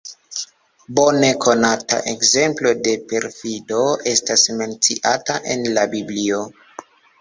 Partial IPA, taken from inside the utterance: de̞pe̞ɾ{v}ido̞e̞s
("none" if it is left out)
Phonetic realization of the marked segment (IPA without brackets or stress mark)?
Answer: f